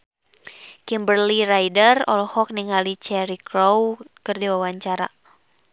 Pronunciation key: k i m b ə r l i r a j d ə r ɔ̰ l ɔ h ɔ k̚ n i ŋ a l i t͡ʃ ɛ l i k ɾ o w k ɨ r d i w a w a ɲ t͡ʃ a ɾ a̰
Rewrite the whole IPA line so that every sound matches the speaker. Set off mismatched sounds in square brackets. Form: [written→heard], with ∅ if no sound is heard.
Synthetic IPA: k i m b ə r l i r a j d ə r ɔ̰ l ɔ h ɔ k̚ n i ŋ a l i t͡ʃ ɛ [l→ɾ] i k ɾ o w k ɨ r d i w a w a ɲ t͡ʃ a ɾ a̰